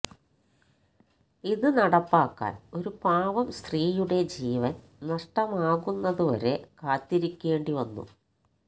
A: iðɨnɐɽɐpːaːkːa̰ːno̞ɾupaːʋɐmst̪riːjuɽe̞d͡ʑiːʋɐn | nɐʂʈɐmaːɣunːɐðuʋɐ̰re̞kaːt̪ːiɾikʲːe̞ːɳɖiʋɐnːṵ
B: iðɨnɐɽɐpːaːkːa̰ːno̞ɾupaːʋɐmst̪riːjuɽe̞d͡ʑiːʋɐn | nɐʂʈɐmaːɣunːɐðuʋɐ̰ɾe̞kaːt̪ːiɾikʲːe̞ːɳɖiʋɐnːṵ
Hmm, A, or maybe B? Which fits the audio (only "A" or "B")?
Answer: B